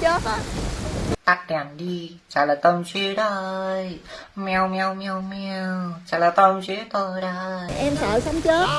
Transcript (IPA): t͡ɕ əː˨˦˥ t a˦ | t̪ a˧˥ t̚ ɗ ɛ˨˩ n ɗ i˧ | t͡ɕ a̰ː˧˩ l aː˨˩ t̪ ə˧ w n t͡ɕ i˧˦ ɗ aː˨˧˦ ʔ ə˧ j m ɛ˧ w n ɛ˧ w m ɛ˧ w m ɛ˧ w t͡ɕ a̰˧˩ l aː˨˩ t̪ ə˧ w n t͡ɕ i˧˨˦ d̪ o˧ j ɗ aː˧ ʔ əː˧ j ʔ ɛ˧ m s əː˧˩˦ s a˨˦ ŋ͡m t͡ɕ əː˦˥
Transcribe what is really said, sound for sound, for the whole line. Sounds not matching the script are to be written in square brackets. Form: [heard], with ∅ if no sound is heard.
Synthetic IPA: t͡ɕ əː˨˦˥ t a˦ | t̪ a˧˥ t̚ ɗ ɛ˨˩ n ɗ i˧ | t͡ɕ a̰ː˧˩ l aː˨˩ t̪ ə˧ w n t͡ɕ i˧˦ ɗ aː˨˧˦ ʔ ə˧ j m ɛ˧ w [m] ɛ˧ w m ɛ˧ w m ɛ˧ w t͡ɕ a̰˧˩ l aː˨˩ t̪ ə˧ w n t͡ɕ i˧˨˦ [t̪] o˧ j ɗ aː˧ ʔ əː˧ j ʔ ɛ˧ m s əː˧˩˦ s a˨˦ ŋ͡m t͡ɕ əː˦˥